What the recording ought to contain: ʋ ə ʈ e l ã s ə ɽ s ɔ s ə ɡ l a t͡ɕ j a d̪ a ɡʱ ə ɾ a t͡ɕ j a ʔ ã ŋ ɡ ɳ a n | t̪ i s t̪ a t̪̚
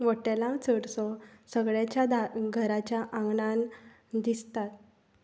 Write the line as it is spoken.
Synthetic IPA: ʋ ə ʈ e l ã t͡s ə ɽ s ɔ s ə ɡ ɭ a t͡ɕ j a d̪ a ɡʱ ə ɾ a t͡ɕ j a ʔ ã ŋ ɡ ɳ a n | d̪ i s t̪ a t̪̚